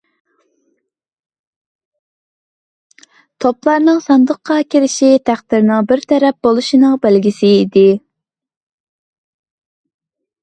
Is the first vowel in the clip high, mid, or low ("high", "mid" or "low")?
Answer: mid